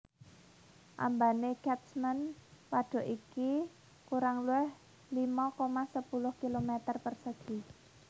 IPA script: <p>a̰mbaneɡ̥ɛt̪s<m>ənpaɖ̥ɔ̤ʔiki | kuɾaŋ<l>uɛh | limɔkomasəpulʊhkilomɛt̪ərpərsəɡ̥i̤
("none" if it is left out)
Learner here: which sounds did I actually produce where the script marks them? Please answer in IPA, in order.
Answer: ʔ, m, l

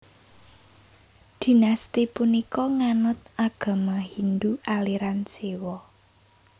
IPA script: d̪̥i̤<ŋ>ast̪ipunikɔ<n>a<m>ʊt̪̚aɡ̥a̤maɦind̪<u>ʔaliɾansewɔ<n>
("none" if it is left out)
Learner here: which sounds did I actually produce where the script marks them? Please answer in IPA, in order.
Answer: n, ŋ, n, u, none

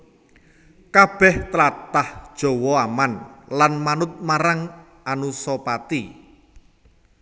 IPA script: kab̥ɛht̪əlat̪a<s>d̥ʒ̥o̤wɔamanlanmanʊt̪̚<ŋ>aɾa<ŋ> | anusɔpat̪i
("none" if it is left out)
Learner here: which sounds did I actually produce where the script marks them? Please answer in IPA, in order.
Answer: h, m, ŋ

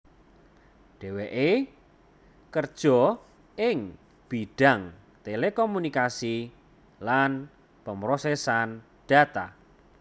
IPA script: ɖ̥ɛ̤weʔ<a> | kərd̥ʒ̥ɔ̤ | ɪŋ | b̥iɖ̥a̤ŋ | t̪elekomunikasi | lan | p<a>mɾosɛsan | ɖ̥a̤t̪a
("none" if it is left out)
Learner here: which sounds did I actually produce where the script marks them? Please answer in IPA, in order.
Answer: e, ə

